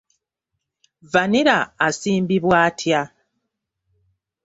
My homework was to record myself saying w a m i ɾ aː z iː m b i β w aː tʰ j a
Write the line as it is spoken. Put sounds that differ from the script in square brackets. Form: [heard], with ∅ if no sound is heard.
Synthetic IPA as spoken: [v] a [n] i ɾ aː [s] iː m b i β w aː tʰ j a